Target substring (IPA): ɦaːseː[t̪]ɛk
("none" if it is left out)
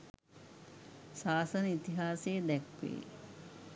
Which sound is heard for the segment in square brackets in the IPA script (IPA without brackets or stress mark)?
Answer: d̪